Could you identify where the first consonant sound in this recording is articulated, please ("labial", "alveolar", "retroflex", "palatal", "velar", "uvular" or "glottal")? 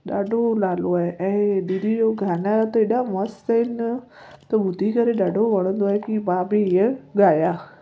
alveolar